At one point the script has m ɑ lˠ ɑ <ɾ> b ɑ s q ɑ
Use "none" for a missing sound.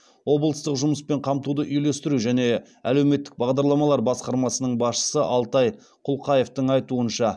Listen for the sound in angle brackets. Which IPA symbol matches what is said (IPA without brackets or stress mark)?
ɾ